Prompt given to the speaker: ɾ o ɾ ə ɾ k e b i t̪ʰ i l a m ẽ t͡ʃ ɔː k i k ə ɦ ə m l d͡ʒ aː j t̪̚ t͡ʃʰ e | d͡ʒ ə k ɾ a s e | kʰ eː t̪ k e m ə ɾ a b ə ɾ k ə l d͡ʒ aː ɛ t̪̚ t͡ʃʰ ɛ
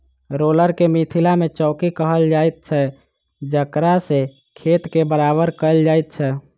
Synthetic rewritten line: ɾ o l ə ɾ k e m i t̪ʰ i l a m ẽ t͡ʃ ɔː k i k ə ɦ ə l d͡ʒ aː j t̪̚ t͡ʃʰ ɛ | d͡ʒ ə k ɾ a s e | kʰ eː t̪ k e b ə ɾ a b ə ɾ k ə l d͡ʒ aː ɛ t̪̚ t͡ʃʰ ɛ